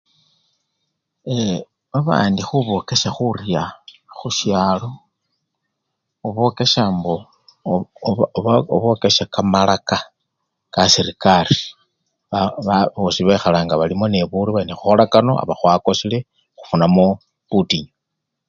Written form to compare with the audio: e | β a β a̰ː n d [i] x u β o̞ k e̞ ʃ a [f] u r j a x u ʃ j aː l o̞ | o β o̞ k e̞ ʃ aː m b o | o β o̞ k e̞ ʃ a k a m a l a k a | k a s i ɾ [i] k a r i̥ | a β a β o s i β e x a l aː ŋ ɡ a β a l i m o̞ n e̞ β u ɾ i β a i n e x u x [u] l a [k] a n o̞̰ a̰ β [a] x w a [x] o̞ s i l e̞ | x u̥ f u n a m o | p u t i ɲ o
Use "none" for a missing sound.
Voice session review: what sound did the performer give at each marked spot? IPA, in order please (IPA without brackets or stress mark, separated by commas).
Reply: i, x, i, o, k, a, k